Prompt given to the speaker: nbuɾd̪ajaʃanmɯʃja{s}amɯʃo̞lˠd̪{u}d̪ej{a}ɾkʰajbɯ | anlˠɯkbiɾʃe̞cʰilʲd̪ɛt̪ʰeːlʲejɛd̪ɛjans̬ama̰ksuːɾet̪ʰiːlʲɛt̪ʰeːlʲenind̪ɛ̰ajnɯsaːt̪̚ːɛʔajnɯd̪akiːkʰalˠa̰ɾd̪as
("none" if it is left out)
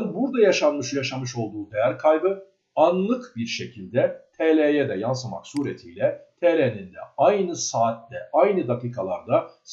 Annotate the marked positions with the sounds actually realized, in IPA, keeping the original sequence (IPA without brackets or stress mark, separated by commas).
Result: ʃ, uː, æ